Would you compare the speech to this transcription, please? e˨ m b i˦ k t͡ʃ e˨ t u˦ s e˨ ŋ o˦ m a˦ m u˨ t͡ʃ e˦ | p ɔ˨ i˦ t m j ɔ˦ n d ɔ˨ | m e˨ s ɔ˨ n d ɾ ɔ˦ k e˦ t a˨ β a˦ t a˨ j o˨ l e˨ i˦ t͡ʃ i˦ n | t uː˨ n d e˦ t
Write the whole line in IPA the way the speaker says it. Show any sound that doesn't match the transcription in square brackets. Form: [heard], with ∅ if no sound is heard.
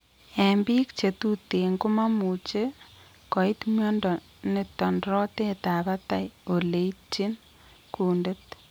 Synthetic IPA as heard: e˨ m b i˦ k t͡ʃ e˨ t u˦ [t] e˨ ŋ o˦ m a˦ m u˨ t͡ʃ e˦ | [k] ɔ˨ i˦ t m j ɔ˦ n d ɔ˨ | [n] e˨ [t] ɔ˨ n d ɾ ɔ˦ [t] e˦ t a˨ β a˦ t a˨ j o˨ l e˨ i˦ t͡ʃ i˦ n | [k] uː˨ n d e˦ t